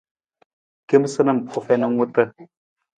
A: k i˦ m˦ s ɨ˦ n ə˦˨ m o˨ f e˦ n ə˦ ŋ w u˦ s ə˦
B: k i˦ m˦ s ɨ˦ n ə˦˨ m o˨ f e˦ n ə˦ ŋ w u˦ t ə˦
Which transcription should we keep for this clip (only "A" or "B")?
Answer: B